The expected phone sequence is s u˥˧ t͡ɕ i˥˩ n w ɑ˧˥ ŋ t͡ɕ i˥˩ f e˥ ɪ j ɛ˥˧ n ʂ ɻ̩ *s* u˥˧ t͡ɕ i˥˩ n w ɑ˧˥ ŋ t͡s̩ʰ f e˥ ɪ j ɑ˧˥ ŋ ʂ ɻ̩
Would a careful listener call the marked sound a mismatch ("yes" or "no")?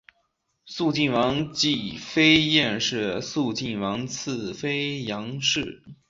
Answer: no